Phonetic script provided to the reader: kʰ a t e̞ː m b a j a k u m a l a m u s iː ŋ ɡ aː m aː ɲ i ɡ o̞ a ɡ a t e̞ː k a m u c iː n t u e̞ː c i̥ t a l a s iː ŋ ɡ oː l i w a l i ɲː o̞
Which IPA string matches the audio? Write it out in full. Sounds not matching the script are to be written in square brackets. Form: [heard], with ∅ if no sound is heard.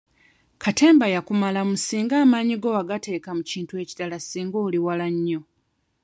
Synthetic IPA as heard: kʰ a t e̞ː m b a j a k u m a l a m u s iː ŋ ɡ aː m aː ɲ i ɡ o̞ a ɡ a t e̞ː k a m u c iː n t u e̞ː c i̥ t a l a s iː ŋ ɡ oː l i w a l [a] ɲː o̞